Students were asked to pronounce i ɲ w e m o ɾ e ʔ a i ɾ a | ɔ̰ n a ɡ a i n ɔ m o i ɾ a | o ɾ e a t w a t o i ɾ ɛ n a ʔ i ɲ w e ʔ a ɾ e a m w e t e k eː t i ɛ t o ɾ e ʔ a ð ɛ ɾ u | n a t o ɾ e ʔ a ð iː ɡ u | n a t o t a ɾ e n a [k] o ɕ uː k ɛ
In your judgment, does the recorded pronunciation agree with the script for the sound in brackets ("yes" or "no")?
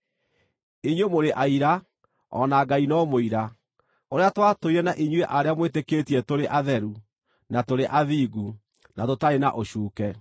no